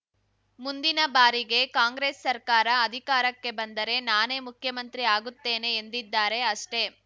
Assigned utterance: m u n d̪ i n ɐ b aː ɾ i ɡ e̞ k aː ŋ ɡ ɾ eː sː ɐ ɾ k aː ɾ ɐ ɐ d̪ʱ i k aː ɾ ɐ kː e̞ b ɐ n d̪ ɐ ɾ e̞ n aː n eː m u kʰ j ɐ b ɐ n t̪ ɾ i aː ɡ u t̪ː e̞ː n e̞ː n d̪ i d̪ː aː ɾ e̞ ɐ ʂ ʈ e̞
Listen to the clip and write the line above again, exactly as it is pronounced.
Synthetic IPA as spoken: m u n d̪ i n ɐ b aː ɾ i ɡ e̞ k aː ŋ ɡ ɾ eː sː ɐ ɾ k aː ɾ ɐ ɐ d̪ʱ i k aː ɾ ɐ kː e̞ b ɐ n d̪ ɐ ɾ e̞ n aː n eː m u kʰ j ɐ m ɐ n t̪ ɾ i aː ɡ u t̪ː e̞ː n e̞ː n d̪ i d̪ː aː ɾ e̞ ɐ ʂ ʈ e̞